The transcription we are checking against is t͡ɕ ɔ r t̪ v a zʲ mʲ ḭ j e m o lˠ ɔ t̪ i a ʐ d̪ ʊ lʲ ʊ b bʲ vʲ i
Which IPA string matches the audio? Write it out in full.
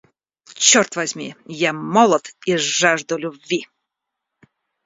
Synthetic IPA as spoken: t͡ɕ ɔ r t̪ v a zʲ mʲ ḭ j a m ɔ lˠ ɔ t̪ i a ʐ d̪ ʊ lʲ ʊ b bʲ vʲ i